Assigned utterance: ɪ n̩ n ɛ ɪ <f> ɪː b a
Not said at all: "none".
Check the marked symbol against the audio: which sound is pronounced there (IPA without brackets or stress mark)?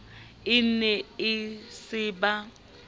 s